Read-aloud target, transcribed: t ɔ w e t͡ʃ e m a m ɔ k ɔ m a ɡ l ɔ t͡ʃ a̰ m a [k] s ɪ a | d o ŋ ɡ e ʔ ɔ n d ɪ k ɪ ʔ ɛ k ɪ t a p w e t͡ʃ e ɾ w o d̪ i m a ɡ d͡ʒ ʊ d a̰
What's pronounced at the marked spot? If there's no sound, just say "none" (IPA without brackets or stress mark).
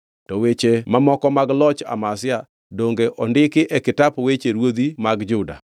none